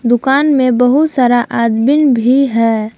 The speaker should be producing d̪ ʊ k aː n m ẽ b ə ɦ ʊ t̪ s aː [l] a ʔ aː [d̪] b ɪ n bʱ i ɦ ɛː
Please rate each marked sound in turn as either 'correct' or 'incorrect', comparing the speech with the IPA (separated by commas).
incorrect, correct